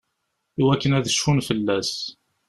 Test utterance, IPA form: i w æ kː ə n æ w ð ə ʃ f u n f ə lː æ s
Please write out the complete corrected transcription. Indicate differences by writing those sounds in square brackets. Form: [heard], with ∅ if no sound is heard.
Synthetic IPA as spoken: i w æ kː ə n æ [∅] ð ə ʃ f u n f ə lː æ s